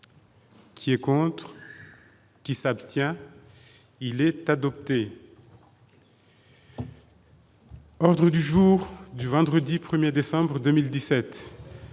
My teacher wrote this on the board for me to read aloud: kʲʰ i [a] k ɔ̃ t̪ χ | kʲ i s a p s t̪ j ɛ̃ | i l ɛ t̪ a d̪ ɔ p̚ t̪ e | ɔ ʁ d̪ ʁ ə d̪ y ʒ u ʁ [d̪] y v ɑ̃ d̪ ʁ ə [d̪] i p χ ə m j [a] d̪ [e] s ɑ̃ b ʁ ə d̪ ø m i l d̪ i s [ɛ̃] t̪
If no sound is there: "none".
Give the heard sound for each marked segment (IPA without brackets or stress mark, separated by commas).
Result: ɛ, d̪, d̪, e, e, ɛ